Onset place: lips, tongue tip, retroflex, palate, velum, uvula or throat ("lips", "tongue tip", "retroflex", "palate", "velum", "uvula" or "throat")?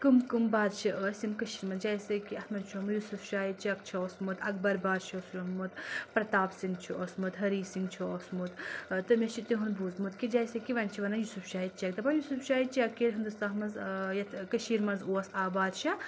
velum